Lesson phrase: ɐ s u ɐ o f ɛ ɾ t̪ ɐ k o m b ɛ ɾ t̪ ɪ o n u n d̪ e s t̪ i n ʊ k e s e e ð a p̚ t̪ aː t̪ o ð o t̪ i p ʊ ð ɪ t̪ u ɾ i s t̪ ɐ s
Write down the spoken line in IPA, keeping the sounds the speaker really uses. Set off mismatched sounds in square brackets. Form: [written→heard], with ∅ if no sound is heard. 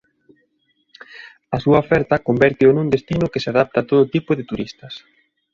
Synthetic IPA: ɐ s u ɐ o f ɛ ɾ t̪ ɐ k o m b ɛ ɾ t̪ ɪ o n u n d̪ e s t̪ i n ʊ k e s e [e→a] ð a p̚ t̪ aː t̪ o ð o t̪ i p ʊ ð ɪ t̪ u ɾ i s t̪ ɐ s